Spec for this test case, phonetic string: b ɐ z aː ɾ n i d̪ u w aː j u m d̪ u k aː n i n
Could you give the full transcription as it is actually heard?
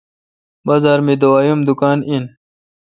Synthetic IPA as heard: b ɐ z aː ɾ m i d̪ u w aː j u m d̪ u k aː n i n